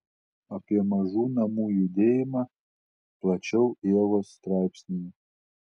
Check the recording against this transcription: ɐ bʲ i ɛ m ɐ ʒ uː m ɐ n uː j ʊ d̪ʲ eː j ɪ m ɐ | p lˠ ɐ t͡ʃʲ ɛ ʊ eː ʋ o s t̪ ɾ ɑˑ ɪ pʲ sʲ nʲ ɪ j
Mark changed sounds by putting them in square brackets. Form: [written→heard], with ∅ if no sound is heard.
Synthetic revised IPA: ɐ [bʲ→pʲ] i ɛ m ɐ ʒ uː [m→n] ɐ [n→m] uː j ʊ d̪ʲ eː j ɪ m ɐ | p lˠ ɐ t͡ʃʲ ɛ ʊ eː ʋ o s t̪ ɾ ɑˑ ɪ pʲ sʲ nʲ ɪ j